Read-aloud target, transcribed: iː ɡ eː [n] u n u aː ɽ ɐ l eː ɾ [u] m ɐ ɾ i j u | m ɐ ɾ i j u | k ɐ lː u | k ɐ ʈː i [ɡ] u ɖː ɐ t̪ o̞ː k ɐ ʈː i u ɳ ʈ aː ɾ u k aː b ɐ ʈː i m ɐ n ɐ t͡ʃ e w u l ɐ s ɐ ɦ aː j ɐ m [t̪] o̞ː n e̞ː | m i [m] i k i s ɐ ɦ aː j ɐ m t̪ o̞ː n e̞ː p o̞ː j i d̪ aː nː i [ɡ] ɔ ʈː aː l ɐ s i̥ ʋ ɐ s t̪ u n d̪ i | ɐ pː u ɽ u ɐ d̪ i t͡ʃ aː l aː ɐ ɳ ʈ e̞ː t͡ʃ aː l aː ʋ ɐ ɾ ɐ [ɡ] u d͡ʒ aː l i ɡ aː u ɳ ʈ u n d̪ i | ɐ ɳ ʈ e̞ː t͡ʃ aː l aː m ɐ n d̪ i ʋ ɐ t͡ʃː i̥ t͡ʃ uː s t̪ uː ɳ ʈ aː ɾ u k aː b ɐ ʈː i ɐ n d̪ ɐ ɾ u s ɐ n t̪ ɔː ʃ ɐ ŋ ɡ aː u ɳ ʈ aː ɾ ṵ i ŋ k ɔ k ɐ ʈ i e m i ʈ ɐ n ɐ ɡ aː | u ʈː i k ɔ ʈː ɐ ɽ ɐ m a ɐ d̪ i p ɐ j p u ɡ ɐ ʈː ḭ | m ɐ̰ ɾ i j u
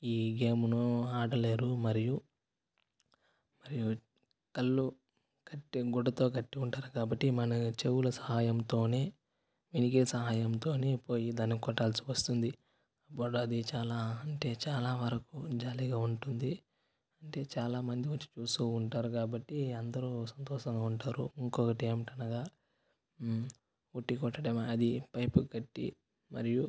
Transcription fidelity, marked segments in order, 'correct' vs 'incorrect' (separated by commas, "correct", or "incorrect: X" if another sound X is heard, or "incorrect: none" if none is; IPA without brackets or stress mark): incorrect: m, correct, correct, correct, incorrect: n, incorrect: k, incorrect: k